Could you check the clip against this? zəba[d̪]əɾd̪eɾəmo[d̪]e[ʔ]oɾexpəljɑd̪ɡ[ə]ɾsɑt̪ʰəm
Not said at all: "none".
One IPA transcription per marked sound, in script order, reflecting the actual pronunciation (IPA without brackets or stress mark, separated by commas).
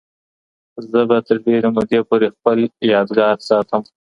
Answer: t̪, d̪, p, ɑ